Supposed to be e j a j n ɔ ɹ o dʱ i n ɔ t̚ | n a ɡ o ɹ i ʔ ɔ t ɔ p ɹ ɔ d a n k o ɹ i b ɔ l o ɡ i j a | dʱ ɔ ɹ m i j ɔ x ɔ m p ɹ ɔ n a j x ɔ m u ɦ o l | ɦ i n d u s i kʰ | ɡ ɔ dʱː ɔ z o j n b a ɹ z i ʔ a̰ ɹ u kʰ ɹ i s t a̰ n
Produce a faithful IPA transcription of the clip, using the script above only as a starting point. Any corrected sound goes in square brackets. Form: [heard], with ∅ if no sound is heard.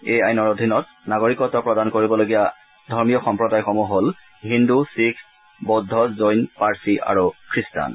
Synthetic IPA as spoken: e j a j n ɔ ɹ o dʱ i n ɔ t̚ | n a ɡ o ɹ i [k] ɔ t ɔ p ɹ ɔ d a n k o ɹ i b ɔ l o ɡ i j a | dʱ ɔ ɹ m i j ɔ x ɔ m p ɹ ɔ [d] a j x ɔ m u ɦ o l | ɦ i n d u s i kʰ | [b] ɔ dʱː ɔ z o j n [p] a ɹ [s] i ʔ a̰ ɹ u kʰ ɹ i s t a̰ n